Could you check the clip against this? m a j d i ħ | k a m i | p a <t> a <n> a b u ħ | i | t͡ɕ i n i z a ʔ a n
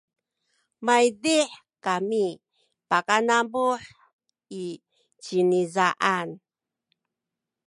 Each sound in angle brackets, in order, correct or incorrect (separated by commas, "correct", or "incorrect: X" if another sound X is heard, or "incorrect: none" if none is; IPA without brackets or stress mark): incorrect: k, correct